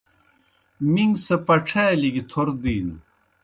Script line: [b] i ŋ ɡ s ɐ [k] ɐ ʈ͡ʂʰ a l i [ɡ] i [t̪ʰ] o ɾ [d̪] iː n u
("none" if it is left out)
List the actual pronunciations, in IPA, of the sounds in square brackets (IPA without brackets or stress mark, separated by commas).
m, p, ɡ, t̪ʰ, d̪